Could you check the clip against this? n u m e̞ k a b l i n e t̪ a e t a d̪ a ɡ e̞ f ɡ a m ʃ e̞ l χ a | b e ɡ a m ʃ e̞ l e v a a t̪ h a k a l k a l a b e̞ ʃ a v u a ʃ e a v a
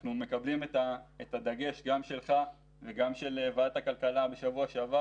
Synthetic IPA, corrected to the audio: n u m e̞ k a b l i m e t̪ a e t a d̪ a ɡ e̞ ʃ ɡ a m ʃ e̞ l χ a | v e ɡ a m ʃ e̞ l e v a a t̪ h a k a l k a l a b e̞ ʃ a v u a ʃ e a v a